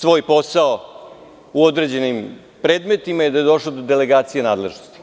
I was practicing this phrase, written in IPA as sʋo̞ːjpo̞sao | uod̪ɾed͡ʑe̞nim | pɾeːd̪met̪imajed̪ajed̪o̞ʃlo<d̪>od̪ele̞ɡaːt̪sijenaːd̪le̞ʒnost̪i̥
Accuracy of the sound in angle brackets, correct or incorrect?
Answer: correct